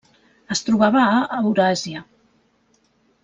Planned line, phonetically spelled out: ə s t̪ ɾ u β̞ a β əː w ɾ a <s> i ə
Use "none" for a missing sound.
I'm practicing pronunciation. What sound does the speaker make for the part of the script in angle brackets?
z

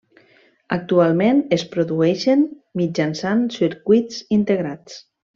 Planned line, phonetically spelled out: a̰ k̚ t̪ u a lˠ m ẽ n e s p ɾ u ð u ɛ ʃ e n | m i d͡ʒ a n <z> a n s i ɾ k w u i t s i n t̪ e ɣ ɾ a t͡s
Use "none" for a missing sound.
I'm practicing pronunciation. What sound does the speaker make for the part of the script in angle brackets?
s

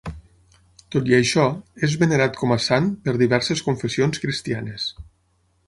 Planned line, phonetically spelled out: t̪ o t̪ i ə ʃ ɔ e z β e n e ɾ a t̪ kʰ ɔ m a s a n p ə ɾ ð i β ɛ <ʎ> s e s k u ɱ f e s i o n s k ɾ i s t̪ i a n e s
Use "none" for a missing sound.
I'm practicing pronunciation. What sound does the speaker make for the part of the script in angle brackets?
ɾ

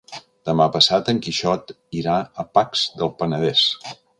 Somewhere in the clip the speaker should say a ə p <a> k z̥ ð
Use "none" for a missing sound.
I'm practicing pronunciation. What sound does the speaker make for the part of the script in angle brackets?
a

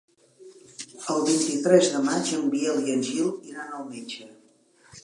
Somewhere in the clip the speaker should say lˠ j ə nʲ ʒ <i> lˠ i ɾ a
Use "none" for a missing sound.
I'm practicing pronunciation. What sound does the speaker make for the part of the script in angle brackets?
i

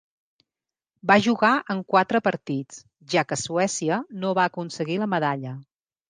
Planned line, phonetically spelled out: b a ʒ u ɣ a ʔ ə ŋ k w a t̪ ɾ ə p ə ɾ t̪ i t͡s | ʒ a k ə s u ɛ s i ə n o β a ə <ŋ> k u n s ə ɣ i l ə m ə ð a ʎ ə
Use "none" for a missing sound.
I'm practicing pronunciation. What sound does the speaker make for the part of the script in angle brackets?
none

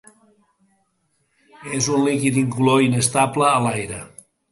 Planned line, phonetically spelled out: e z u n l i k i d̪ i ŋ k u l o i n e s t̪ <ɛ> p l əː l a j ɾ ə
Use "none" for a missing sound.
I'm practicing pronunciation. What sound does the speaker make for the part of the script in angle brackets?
a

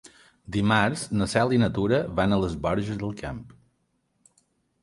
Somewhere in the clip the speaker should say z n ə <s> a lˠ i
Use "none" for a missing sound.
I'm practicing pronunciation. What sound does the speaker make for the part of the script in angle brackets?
s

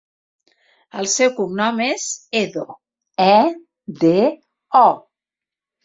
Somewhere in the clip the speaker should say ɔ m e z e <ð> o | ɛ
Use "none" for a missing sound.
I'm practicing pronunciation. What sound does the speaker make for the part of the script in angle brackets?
ð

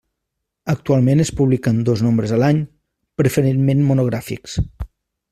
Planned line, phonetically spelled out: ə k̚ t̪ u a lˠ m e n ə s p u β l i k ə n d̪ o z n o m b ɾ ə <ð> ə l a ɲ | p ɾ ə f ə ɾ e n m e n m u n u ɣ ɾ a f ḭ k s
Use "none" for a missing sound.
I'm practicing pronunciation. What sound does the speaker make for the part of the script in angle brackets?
z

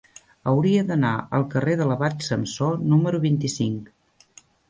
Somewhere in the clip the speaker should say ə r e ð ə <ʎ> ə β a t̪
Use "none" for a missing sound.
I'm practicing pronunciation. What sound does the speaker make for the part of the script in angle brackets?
l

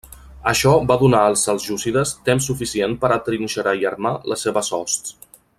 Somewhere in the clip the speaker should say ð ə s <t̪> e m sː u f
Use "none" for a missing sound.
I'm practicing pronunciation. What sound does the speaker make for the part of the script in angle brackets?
t̪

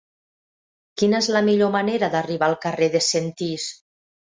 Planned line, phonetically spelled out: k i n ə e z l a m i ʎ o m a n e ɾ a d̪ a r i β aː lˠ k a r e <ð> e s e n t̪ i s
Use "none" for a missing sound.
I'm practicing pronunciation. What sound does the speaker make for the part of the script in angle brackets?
ð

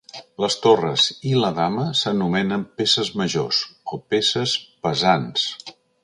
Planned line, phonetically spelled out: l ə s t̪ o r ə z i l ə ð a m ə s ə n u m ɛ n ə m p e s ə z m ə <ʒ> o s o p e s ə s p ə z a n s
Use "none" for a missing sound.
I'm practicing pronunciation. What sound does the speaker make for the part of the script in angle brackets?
ʒ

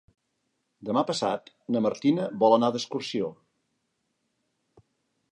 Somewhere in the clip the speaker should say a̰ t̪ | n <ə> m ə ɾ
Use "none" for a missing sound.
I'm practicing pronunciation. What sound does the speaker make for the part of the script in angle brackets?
ə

